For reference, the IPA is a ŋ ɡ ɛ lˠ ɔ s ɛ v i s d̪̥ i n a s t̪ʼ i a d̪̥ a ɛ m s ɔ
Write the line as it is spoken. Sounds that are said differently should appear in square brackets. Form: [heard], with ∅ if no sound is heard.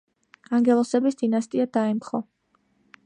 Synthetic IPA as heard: a ŋ ɡ ɛ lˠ ɔ s ɛ [b] i s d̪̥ i n a s t̪ʼ i a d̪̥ a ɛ m [χ] ɔ